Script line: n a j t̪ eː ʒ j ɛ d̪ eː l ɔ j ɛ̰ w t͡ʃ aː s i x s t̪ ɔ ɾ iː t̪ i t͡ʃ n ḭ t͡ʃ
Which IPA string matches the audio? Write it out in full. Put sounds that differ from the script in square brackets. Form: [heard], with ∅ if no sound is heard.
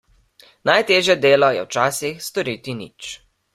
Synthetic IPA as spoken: n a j t̪ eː ʒ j ɛ d̪ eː l ɔ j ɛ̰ w t͡ʃ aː s i x s t̪ ɔ ɾ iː t̪ i [∅] n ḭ t͡ʃ